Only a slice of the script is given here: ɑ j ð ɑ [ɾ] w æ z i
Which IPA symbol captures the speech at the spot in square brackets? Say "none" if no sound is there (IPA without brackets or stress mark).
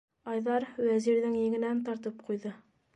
ɾ